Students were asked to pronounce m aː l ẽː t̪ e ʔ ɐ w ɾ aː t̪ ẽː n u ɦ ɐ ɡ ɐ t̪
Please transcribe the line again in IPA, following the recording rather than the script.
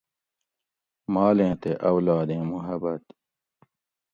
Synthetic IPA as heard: m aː l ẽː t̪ e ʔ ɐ w l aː d̪ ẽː m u ɦ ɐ b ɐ t̪